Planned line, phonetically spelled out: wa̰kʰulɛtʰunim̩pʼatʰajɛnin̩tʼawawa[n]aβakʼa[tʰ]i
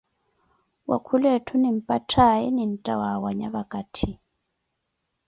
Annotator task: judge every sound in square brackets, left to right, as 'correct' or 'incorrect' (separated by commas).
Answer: incorrect, correct